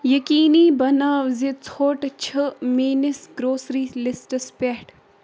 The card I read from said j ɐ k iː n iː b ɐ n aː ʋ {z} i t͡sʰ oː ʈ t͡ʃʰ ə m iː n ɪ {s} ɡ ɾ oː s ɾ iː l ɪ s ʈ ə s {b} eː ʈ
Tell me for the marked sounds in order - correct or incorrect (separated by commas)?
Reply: correct, correct, incorrect